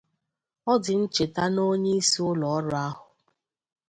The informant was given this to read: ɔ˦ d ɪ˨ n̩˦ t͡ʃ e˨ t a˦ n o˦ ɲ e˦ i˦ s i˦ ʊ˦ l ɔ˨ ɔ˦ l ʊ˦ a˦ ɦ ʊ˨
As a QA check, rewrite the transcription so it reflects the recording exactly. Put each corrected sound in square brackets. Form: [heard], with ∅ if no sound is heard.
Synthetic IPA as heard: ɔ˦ d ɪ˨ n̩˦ t͡ʃ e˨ t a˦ n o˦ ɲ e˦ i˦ s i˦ ʊ˦ l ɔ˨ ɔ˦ [ɾ] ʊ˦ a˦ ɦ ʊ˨